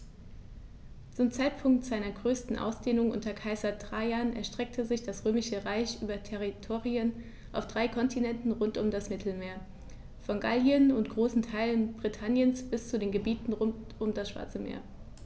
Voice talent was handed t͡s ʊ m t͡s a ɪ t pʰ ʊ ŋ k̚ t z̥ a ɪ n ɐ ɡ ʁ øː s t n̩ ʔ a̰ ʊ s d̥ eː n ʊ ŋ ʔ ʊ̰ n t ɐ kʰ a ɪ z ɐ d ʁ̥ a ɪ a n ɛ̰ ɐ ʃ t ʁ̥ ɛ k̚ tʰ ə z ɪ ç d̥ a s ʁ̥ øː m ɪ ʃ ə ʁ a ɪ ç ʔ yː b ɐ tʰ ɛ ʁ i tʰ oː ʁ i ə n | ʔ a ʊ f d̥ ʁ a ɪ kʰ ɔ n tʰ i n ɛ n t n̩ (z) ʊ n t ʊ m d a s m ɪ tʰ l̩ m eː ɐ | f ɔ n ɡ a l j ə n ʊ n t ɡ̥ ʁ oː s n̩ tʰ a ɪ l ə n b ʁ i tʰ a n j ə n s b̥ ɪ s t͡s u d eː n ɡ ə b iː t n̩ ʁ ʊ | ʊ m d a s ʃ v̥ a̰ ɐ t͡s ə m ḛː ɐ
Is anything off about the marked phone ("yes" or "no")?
yes